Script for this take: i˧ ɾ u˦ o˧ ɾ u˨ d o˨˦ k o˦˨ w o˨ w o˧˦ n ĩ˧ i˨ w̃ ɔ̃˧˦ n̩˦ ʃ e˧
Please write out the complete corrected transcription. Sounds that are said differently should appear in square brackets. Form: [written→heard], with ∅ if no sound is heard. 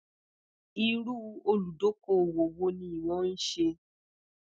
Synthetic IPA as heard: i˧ ɾ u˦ o˧ [ɾ→l] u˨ d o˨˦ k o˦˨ w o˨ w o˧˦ n ĩ˧ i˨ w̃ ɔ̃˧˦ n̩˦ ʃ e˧